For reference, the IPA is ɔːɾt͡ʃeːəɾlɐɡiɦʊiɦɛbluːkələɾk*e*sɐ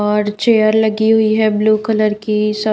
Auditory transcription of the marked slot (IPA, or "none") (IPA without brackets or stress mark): i